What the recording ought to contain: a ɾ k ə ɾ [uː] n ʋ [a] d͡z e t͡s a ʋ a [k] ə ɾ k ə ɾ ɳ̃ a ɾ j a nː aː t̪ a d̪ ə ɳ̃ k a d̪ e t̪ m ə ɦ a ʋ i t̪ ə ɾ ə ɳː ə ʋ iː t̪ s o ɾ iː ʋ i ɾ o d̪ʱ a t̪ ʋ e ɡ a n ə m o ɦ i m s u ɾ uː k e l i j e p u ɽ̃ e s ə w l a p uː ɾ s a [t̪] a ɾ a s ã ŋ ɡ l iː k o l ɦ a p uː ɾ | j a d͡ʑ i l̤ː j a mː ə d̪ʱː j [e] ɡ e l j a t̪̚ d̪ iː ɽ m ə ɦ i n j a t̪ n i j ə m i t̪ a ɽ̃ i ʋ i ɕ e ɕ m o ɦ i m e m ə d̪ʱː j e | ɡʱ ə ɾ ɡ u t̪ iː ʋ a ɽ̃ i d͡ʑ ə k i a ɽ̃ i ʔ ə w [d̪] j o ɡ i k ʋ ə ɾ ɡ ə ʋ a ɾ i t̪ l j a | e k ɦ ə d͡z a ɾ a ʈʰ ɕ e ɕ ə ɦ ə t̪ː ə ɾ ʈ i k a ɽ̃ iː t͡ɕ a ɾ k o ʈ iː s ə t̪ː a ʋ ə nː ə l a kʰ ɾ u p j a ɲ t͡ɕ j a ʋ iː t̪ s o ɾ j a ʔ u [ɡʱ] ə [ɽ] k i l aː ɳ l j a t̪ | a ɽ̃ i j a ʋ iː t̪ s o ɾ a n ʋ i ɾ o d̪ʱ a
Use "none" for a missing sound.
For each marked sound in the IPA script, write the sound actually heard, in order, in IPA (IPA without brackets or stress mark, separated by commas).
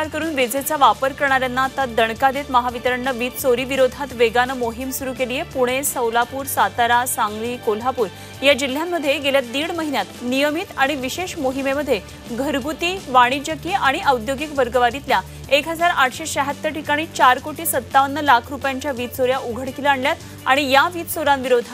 uː, e, p, t̪, e, d̪, ɡʱ, ɽ